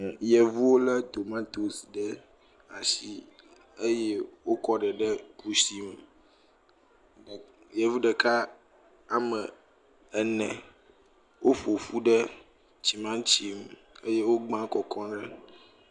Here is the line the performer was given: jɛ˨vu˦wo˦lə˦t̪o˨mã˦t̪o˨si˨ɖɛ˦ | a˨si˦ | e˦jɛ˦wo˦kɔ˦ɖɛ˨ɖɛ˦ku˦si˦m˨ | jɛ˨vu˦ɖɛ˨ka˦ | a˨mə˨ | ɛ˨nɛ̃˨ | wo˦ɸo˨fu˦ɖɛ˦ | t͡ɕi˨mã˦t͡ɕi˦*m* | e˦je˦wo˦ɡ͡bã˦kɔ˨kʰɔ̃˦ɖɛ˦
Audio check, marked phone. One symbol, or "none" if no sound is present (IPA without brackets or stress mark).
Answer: m